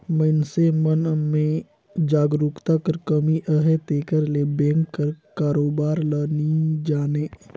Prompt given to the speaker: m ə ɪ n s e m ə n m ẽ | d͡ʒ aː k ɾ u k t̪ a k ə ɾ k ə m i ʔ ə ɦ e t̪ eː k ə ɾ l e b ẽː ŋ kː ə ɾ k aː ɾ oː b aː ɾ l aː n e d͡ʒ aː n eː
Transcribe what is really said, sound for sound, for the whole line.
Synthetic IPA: m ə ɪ n s e m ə n m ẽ | d͡ʒ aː ɡ ɾ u k t̪ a k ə ɾ k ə m i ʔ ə ɦ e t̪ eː k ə ɾ l e b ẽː ŋ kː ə ɾ k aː ɾ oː b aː ɾ l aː n i d͡ʒ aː n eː